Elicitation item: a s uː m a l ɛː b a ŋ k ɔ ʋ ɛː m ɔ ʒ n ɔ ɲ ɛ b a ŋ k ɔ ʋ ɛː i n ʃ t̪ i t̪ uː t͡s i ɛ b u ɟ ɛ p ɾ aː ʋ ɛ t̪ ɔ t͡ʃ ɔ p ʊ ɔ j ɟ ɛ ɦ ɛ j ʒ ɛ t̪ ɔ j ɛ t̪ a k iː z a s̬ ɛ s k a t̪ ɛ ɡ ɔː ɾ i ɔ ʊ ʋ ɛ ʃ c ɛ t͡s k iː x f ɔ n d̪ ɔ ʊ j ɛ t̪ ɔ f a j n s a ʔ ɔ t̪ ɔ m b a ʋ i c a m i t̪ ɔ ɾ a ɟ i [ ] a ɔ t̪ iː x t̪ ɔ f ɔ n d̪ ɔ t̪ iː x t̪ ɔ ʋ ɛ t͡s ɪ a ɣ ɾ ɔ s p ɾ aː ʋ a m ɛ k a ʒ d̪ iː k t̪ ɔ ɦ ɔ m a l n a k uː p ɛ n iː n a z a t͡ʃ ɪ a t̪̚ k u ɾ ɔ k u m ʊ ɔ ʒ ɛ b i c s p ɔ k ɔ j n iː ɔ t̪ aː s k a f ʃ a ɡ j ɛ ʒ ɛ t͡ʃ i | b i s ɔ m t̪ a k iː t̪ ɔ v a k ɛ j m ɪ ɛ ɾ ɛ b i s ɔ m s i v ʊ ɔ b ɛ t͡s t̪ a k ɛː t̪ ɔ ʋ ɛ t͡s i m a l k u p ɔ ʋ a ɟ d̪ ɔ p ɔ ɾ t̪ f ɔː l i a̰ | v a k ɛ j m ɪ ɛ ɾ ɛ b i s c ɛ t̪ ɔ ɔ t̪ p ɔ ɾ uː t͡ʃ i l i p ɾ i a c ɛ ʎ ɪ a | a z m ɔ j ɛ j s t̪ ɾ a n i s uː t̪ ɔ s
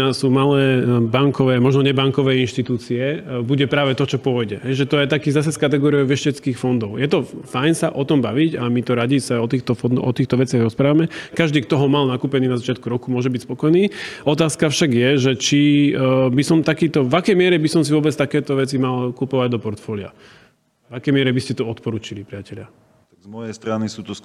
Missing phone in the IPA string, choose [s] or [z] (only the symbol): s